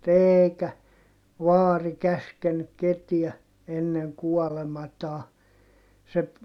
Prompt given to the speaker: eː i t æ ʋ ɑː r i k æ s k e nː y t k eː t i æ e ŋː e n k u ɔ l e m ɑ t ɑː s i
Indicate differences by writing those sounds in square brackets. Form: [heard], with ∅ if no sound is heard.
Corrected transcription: eː i [k] æ ʋ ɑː r i k æ s k e nː y [k] k [e] t i æ e [nː] e [ŋ] k u ɔ l e m ɑ t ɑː s [e]

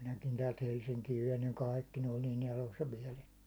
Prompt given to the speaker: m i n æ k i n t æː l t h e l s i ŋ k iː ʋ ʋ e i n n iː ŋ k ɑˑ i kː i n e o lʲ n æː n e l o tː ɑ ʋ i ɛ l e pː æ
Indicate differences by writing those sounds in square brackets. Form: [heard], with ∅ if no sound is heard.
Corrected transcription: m i n æ k i n t æː l t h e l s i ŋ k iː ʋ ʋ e i n n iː ŋ k ɑˑ i kː i n e o lʲ n [iː] n e l o [sː] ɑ ʋ i ɛ l e [tː] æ

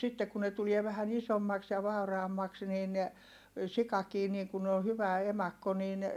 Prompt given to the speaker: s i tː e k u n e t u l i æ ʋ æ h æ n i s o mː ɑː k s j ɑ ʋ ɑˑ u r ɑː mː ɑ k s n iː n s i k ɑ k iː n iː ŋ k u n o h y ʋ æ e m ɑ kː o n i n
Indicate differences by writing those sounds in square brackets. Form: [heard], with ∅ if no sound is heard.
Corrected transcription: s i tː e k u n e t u l i [e] ʋ æ h æ n i s o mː [ɑ] k s j ɑ ʋ ɑˑ u r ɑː mː ɑ k s n iː n s i k ɑ k iː n iː ŋ k u n o h y ʋ æ e m ɑ kː o n [iː] n

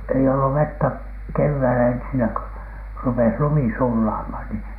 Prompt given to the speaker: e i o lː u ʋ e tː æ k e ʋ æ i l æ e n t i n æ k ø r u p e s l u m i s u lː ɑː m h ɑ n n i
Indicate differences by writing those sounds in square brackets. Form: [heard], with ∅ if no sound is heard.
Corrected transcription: e i o lː u ʋ e tː æ k e [ʋː] æ i l æ e n [s] i n æ k ø r u p e s l u m i s u lː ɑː m h ɑ n n i

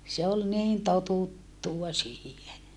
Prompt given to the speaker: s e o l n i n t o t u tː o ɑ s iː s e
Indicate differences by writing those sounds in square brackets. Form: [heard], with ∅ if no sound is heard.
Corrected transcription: s e o l n [iː] n t o t u tː [u] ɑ s iː [h] e

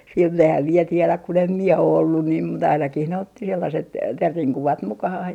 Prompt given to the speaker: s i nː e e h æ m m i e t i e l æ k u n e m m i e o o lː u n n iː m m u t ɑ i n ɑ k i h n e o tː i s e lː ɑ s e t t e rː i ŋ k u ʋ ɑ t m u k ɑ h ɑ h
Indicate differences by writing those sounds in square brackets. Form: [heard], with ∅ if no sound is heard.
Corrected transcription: s i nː e e h æ m m i e t i e l æ k u n e m m i e o o lː u n n iː m m u t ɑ i n ɑ k i h n e o tː i s e lː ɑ s e t t e rː i ŋ k u ʋ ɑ t m u k ɑ h ɑ h

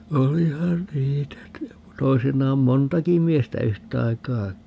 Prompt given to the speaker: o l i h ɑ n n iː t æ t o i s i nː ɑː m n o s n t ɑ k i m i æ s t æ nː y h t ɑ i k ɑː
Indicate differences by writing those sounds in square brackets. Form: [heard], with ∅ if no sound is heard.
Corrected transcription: o l i h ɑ n n iː t æ t o i s i nː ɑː m [m] o [∅] n t ɑ k i m i [e] s t æ [∅] y h t ɑ i k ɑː

